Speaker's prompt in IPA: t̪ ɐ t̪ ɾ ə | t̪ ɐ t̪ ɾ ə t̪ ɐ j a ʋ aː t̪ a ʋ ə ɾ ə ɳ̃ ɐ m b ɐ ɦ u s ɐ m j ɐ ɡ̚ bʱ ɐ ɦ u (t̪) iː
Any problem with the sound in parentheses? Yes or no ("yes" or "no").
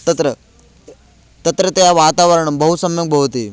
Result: no